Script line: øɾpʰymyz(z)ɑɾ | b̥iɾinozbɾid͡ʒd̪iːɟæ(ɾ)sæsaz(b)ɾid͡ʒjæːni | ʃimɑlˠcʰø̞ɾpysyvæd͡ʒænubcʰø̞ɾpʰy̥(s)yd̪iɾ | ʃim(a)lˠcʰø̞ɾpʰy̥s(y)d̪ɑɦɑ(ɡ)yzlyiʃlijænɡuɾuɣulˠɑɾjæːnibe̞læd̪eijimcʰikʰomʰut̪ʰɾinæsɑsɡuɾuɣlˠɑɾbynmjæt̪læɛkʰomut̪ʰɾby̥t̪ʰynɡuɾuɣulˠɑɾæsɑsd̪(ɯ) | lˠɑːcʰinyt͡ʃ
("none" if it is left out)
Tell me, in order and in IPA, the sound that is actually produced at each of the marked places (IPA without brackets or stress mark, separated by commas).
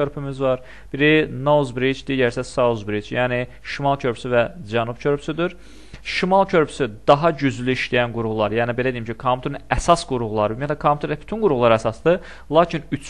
v, ɾ, b, s, ɑ, y, ɟ, ɯ